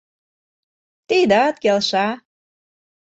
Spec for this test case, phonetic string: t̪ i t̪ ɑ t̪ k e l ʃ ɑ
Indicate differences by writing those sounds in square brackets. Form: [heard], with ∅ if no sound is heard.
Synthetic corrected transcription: t̪ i [d̪] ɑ t̪ k e l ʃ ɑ